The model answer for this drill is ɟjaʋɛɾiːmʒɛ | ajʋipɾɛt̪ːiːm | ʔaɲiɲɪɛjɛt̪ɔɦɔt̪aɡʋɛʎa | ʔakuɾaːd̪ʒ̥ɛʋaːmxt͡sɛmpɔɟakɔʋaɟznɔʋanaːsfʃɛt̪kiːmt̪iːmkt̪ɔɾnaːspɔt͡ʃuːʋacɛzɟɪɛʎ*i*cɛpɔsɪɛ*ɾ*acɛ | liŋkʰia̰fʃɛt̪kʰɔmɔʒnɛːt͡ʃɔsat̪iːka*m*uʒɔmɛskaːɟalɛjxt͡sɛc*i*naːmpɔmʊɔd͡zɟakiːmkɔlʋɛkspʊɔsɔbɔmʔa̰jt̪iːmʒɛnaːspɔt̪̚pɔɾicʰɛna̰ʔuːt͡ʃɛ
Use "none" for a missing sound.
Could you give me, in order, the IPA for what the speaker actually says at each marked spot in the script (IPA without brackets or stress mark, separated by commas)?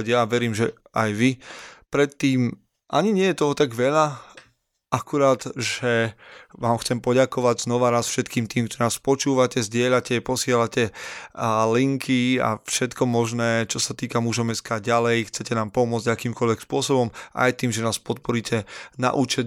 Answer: a, l, m, ɛ